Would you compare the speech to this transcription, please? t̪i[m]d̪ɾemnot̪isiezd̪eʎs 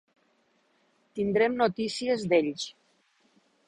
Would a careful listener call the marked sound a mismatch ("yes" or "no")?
yes